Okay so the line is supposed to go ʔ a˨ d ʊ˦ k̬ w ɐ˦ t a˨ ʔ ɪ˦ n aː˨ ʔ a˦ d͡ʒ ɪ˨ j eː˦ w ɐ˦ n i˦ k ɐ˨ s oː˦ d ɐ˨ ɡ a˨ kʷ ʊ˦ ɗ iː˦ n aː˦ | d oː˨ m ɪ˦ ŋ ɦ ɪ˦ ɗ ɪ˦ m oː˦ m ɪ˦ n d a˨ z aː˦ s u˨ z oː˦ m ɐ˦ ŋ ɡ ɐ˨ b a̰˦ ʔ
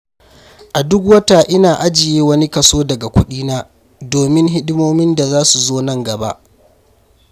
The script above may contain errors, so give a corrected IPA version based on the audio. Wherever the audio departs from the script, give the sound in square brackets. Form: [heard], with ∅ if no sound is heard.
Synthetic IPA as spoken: ʔ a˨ d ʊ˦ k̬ w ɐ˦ t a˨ ʔ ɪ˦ n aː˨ ʔ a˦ d͡ʒ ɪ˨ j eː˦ w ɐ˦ n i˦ k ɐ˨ s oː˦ d ɐ˨ ɡ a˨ kʷ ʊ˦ ɗ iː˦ n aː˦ | d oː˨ m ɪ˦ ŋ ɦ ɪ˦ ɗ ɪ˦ m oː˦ m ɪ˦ n d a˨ z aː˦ s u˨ z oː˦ [n] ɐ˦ ŋ ɡ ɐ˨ b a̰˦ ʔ